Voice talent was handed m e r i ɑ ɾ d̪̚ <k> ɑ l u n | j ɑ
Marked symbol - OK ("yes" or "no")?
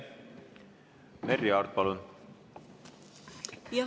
no